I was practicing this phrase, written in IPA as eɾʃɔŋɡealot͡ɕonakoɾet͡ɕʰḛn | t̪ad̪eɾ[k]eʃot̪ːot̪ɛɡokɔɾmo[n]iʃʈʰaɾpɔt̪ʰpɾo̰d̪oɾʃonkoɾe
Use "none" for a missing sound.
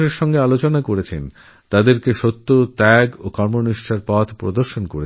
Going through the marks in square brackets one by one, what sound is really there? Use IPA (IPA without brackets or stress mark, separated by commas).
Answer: k, n